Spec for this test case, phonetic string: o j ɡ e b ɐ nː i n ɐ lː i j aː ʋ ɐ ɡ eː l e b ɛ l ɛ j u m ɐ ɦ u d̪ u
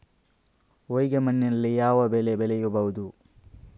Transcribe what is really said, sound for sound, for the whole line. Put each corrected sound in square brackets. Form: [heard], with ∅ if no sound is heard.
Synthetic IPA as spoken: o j ɡ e [m] ɐ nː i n ɐ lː i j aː ʋ ɐ [b] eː l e b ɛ l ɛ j u [b] ɐ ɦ u d̪ u